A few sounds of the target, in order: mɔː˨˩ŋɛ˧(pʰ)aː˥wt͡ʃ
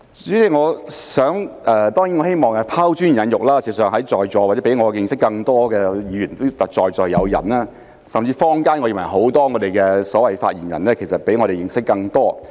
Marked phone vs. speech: correct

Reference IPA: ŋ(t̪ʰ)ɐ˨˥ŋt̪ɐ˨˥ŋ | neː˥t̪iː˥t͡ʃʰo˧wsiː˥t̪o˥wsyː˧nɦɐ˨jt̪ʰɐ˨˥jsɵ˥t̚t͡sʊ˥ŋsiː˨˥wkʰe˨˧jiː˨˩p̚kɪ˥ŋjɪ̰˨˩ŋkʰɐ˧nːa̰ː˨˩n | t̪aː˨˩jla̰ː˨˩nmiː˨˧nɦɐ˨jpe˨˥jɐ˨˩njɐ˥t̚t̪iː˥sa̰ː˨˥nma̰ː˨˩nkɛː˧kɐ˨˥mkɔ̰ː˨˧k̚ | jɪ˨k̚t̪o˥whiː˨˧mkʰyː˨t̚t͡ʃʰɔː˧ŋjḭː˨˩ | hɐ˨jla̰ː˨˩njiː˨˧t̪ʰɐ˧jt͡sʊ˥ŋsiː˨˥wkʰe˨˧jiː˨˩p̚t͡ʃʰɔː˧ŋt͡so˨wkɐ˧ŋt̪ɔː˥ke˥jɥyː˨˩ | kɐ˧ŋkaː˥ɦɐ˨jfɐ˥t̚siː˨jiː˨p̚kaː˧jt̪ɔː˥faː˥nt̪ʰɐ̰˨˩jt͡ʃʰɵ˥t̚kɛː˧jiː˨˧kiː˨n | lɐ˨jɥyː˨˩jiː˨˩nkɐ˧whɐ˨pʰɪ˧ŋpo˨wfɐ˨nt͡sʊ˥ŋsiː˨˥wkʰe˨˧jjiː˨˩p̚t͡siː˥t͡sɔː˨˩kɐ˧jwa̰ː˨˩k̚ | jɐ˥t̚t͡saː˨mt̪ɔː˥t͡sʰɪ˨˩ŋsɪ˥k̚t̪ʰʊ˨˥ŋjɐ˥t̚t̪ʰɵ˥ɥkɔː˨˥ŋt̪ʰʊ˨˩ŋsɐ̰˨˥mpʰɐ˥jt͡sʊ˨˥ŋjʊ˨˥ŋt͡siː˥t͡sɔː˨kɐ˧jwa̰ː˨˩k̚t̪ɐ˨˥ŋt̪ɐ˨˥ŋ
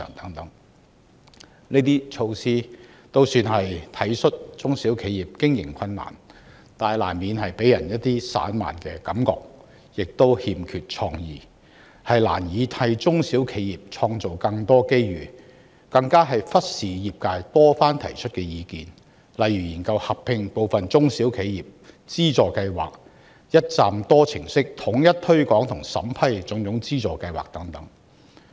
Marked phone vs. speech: incorrect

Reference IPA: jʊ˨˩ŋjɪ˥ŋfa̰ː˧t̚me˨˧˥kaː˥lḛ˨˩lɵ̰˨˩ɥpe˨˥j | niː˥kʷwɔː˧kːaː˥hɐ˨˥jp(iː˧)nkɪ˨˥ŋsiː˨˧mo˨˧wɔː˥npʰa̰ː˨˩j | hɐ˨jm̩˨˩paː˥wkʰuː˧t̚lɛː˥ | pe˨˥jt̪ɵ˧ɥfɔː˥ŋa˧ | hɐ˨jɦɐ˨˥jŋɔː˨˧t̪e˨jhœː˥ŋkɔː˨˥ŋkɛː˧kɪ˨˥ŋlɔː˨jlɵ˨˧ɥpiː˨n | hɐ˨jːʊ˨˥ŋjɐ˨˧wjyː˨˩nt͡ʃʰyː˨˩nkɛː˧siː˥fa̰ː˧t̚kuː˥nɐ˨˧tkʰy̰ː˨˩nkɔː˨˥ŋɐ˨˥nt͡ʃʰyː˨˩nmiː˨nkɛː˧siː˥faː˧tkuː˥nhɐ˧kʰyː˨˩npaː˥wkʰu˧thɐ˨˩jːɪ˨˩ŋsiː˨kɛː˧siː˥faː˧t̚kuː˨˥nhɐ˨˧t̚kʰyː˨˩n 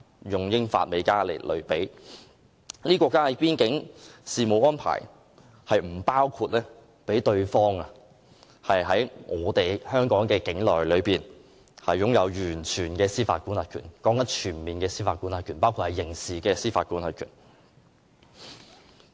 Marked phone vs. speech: incorrect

